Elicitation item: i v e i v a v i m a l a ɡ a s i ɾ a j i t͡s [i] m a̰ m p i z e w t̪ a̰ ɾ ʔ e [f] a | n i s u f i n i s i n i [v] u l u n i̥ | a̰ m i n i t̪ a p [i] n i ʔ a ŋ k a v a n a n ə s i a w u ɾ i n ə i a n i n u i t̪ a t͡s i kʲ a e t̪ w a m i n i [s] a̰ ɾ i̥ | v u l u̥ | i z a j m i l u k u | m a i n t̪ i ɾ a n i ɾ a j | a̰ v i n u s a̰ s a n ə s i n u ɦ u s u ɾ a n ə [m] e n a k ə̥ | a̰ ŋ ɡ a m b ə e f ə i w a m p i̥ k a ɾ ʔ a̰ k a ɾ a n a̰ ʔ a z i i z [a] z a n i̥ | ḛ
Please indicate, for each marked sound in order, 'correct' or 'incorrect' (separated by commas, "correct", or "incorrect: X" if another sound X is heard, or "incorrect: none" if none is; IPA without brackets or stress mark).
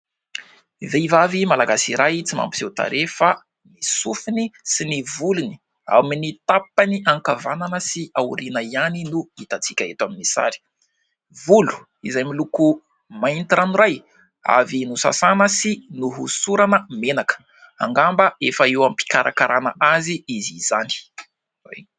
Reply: correct, correct, correct, incorrect: a, correct, correct, incorrect: i